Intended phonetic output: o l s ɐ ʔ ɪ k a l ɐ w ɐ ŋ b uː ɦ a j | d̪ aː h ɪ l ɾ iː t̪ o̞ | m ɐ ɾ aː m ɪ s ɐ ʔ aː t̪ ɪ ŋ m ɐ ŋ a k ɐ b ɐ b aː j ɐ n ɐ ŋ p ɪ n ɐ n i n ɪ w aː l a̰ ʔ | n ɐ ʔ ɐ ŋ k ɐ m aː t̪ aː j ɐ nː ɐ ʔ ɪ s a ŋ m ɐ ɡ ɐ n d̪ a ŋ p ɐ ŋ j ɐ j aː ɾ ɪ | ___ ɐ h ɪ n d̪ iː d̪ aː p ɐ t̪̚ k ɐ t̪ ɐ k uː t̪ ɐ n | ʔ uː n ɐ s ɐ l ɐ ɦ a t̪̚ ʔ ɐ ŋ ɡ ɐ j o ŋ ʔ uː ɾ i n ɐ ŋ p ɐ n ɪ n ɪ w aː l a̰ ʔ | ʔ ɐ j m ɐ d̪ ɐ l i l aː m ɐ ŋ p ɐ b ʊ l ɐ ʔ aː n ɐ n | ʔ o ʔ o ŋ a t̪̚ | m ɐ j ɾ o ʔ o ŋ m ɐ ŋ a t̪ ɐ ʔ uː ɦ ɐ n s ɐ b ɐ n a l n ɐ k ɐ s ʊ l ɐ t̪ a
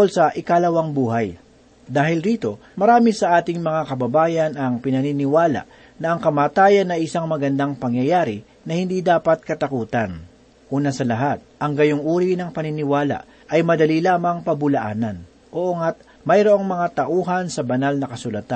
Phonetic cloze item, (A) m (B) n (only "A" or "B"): B